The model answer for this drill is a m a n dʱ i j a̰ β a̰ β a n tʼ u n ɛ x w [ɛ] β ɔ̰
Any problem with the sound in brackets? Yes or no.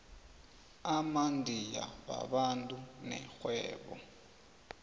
yes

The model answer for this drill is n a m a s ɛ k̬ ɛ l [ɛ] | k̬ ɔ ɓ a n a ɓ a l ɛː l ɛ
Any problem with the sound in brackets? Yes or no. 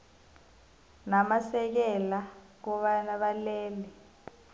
yes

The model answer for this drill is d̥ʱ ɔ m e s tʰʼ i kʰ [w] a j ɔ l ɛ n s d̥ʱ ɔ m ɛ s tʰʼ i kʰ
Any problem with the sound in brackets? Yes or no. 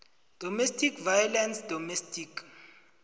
yes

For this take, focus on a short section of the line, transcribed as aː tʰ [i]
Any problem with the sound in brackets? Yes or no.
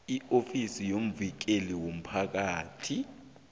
no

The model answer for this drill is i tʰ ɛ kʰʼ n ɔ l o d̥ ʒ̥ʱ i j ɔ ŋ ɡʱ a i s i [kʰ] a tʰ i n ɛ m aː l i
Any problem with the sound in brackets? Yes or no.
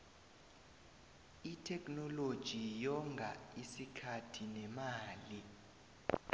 no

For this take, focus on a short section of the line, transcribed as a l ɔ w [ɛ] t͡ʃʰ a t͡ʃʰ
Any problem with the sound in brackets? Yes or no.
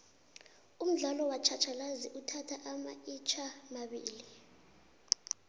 yes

